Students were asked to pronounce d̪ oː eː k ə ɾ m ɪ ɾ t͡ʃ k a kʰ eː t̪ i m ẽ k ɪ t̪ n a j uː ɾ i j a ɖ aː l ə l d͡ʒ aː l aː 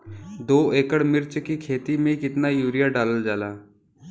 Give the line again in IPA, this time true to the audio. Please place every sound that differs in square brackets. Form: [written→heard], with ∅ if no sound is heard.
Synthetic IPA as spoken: d̪ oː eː k ə [ɾ→ɽ] m ɪ ɾ t͡ʃ k [a→i] kʰ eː t̪ i m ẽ k ɪ t̪ n a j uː ɾ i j a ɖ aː l ə l d͡ʒ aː l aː